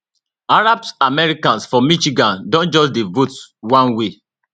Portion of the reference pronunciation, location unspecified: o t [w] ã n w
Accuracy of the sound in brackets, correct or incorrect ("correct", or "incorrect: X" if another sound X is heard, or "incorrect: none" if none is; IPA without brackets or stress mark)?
correct